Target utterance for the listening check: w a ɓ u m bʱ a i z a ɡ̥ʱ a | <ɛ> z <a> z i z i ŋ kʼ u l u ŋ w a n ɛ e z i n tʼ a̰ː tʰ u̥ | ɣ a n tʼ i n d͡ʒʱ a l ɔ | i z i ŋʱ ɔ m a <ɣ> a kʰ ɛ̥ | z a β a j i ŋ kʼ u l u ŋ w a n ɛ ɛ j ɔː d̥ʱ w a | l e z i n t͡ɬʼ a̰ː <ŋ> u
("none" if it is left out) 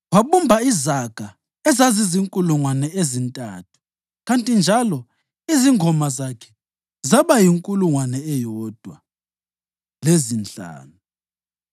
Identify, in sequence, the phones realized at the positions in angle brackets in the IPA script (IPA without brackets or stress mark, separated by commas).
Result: ɛ, a, z, n